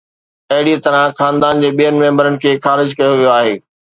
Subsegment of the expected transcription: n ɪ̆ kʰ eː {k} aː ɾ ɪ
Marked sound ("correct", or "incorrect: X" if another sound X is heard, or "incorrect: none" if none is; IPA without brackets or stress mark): incorrect: x